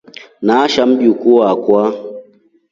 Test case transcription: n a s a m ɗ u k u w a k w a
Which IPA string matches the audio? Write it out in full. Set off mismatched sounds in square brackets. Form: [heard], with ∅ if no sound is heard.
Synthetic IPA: n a [ʃ] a m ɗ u k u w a k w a

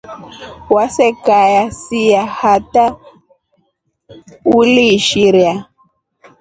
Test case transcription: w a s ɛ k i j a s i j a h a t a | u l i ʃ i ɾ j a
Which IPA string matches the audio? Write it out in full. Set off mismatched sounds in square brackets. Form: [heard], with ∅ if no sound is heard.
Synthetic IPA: w a s ɛ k [a] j a s i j a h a t a | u l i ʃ i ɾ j a

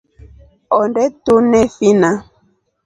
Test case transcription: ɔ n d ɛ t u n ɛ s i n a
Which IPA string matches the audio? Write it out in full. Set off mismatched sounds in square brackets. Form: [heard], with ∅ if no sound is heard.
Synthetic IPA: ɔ n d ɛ t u n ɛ [f] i n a

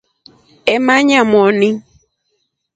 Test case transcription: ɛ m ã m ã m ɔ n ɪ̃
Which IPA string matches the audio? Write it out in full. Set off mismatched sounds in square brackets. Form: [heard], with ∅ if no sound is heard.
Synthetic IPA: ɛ m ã [ɲ] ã m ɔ n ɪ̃

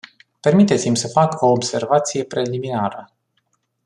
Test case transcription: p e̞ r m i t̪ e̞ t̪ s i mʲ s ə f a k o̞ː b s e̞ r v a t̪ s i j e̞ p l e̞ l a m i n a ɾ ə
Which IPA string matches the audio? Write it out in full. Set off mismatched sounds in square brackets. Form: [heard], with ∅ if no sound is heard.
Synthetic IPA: p e̞ r m i t̪ e̞ t̪ s i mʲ s ə f a k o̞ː b s e̞ r v a t̪ s i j e̞ p [ɾ] e̞ l [i] m i n a ɾ ə

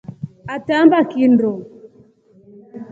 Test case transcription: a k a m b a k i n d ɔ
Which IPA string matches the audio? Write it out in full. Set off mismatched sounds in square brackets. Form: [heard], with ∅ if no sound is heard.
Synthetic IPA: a [t] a m b a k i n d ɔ

